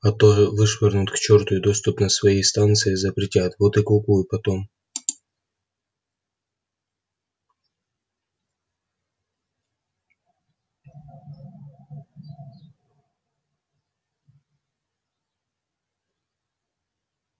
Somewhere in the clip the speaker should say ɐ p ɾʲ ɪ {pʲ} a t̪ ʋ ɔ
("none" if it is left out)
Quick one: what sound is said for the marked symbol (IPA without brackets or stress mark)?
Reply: tʲ